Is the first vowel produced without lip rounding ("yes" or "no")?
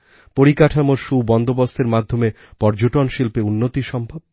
no